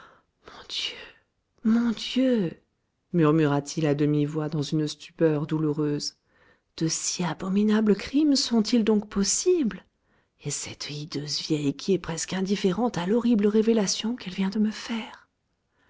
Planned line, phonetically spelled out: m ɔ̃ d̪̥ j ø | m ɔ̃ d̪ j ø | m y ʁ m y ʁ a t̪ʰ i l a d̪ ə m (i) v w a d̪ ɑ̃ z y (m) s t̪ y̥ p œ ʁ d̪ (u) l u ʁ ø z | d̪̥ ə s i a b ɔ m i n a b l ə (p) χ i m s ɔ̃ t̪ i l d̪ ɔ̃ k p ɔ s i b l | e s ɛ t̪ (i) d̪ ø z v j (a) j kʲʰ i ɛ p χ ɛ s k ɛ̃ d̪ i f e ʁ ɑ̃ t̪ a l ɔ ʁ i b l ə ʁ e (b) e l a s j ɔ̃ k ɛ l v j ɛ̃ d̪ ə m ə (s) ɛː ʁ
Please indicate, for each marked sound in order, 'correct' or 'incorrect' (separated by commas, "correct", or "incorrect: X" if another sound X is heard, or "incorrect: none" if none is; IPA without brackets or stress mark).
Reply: correct, incorrect: n, correct, incorrect: k, correct, incorrect: ɛ, incorrect: v, incorrect: f